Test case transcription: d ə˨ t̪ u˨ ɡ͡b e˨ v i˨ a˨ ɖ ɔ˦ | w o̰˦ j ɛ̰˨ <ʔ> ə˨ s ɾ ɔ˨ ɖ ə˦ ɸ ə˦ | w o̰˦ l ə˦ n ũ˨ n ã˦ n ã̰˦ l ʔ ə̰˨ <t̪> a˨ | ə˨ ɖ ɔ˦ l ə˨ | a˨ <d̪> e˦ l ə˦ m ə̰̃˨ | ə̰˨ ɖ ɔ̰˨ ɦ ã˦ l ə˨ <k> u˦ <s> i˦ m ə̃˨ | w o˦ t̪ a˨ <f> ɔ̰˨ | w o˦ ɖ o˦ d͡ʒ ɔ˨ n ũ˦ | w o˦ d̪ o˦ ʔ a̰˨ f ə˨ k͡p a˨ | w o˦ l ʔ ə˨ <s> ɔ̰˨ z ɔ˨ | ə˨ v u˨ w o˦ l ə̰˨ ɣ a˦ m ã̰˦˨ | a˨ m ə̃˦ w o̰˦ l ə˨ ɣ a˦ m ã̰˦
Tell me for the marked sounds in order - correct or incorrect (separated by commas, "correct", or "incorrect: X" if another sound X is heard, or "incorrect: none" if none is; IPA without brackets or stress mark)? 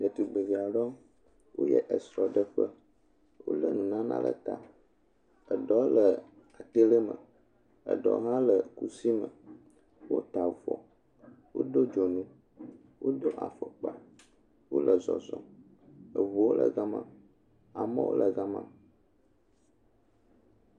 correct, correct, incorrect: t̪, correct, correct, incorrect: v, incorrect: z